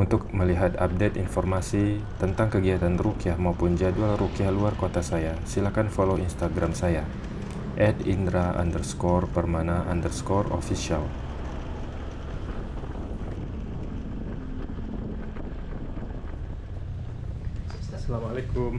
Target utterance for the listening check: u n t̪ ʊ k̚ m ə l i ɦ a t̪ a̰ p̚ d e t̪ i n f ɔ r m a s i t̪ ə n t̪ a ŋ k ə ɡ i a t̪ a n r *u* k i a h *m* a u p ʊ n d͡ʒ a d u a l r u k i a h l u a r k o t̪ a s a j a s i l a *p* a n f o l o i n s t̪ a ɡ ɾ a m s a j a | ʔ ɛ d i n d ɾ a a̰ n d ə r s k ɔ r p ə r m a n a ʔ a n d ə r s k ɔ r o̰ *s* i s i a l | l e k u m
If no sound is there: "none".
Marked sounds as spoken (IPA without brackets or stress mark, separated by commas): u, m, k, f